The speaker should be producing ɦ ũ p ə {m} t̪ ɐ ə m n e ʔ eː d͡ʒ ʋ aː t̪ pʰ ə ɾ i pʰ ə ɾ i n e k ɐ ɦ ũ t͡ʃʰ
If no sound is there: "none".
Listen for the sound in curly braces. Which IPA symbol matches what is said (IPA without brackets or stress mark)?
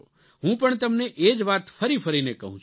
ɳ